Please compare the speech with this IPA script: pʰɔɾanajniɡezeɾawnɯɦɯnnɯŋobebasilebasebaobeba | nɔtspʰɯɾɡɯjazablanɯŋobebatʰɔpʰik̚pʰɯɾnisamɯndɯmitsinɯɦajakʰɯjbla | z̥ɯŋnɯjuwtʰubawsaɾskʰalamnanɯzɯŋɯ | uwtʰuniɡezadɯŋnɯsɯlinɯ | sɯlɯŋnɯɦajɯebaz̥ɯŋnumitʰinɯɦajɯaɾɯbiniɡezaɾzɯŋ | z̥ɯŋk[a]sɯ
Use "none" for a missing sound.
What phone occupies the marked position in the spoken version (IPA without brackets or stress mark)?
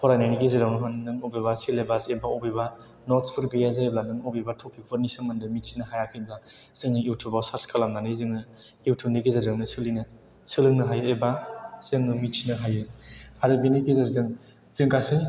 a